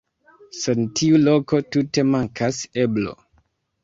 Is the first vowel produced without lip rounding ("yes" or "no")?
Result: yes